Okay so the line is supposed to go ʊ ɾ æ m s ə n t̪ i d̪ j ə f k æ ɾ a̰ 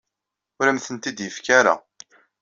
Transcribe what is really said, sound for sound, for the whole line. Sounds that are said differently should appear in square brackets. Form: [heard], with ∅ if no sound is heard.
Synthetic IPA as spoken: ʊ ɾ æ m [θ] ə n t̪ i d̪ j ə f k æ ɾ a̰